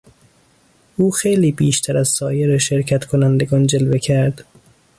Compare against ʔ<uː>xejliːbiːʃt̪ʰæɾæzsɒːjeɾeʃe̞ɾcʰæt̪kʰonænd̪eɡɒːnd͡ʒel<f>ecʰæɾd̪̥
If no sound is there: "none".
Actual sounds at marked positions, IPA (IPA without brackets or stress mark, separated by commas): uː, v